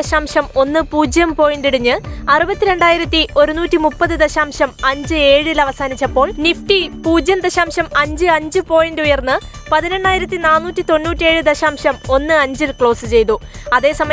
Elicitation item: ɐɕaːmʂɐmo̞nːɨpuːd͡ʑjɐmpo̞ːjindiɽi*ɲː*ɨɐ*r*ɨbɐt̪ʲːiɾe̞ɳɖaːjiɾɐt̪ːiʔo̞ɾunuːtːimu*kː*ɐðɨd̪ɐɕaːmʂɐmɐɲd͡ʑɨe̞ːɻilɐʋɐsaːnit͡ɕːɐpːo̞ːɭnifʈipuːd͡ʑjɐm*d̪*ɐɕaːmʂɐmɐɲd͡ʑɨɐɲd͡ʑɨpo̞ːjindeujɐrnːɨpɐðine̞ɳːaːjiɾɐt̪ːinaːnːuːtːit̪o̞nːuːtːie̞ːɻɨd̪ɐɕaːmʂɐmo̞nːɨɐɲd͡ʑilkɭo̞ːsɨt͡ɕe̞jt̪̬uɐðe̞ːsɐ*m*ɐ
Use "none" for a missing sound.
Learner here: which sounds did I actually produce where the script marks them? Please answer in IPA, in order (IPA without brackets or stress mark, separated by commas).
ɲː, r, pː, d̪, m